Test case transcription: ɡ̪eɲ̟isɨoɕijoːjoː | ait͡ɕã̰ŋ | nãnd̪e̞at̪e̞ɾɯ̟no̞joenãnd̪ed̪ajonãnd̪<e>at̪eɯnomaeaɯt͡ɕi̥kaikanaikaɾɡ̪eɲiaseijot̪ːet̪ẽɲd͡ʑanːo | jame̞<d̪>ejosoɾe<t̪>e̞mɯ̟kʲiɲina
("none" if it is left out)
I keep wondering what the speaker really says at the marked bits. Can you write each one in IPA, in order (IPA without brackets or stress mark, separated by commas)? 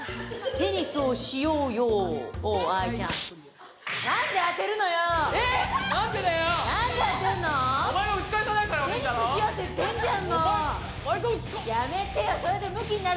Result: e, t̪, d̪